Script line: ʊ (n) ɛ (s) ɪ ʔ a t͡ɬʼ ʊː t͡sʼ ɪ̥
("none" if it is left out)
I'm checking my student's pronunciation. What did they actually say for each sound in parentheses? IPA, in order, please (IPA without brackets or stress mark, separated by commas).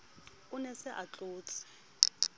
n, s